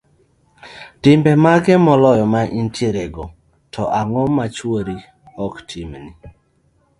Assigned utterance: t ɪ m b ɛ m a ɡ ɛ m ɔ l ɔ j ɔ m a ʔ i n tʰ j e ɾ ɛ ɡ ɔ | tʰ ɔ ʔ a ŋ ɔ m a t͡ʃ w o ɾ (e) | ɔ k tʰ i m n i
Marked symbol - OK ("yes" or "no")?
no